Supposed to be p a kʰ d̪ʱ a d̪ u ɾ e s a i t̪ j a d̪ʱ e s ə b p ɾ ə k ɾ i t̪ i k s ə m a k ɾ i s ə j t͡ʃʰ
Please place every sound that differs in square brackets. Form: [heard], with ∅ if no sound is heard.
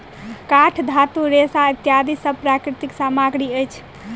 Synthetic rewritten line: [k] a [ʈʰ] d̪ʱ a [t̪] u ɾ e s a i t̪ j a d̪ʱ [i] s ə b p ɾ [a] k ɾ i t̪ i k s [a] m a [ɡ] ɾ i [∅] ə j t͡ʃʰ